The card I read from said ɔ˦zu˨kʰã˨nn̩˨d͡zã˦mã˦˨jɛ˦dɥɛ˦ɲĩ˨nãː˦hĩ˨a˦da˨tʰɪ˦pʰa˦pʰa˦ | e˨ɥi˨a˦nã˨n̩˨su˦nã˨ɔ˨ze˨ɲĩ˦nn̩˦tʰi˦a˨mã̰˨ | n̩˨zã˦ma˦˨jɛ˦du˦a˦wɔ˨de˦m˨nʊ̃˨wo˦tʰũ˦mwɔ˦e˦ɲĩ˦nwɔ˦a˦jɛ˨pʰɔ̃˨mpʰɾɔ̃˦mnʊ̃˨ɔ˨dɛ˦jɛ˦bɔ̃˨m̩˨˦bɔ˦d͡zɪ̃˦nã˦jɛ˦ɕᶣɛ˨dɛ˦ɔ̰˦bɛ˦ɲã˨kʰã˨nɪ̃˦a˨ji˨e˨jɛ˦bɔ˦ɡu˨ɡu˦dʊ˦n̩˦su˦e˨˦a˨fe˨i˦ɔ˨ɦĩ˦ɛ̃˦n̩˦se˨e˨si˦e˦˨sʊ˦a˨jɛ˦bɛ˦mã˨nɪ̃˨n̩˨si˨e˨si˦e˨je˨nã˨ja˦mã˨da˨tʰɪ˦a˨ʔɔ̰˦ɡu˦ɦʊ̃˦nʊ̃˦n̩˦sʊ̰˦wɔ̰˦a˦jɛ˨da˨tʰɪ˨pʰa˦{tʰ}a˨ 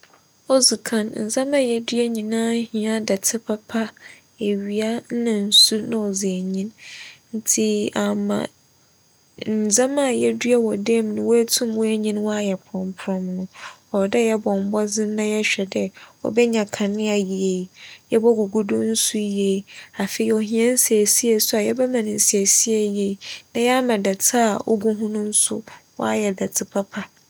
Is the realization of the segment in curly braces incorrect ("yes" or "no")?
yes